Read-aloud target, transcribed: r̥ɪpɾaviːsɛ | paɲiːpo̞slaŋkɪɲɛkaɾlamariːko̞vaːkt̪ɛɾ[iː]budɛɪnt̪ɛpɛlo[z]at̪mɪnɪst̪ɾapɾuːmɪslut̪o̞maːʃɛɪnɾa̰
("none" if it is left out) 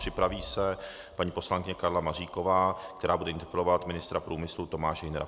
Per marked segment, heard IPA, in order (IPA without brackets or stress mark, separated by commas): aː, v